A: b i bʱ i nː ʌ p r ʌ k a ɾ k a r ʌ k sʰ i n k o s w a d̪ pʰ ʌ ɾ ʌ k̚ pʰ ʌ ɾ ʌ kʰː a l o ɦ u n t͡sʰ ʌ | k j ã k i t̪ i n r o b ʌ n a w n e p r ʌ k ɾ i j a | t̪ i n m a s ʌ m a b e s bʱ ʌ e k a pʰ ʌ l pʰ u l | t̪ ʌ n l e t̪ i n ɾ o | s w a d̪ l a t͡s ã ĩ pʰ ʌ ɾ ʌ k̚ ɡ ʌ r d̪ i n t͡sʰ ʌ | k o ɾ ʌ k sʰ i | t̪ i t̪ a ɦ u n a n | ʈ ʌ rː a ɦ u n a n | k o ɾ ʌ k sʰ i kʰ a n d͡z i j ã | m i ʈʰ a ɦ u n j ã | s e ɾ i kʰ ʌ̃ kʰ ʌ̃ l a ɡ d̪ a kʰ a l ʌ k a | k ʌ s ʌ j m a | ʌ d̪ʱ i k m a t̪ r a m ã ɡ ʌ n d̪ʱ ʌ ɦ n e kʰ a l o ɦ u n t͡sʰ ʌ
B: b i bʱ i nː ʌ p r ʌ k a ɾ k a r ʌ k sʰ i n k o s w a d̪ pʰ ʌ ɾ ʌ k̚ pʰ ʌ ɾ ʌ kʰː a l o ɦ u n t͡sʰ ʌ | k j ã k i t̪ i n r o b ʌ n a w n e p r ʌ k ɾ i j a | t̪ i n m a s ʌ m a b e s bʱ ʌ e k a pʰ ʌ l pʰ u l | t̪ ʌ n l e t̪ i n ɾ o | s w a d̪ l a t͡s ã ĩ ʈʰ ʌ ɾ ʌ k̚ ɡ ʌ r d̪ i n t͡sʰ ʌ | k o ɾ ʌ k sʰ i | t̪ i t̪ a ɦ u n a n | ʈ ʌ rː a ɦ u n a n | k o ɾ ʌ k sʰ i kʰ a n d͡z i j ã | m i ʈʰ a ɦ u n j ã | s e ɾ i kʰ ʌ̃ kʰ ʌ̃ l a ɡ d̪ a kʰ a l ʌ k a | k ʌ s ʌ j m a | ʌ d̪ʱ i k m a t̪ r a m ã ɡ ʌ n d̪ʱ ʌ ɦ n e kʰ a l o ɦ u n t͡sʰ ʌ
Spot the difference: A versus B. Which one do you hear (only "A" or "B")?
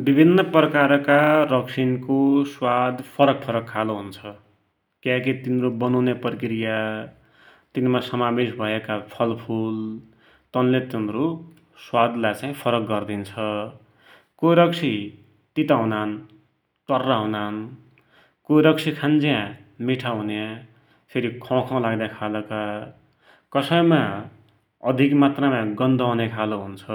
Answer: A